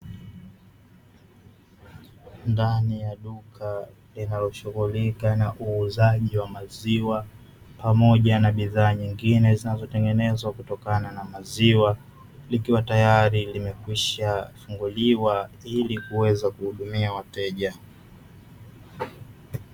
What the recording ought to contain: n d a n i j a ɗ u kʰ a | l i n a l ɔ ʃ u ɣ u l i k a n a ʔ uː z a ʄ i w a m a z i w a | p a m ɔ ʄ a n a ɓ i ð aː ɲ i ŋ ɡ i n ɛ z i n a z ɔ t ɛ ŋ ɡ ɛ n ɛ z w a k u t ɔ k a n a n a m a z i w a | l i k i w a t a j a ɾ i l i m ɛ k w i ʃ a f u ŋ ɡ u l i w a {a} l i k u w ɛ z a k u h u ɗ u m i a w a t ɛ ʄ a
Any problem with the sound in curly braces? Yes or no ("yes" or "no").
yes